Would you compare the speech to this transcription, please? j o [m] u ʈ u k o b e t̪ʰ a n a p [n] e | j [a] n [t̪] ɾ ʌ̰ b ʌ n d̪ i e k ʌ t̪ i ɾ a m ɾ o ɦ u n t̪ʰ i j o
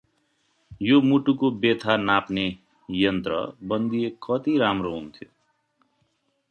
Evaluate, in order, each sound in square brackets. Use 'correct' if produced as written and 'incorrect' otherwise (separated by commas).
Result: correct, correct, incorrect, correct